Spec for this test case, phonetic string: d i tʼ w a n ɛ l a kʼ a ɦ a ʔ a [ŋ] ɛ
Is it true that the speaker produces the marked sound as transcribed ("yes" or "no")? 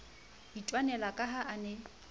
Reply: no